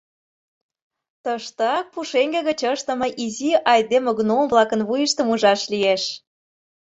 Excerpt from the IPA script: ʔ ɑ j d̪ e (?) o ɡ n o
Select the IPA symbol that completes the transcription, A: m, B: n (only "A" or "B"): A